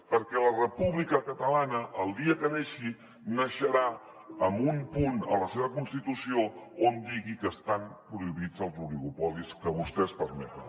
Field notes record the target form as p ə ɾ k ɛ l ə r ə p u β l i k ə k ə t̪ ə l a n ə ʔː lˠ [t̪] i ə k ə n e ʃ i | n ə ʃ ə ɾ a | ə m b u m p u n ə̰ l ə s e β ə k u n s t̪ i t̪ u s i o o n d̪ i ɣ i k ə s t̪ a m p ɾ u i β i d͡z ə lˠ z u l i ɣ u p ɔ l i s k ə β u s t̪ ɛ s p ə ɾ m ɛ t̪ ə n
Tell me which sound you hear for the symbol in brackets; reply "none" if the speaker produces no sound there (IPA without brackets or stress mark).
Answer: d̪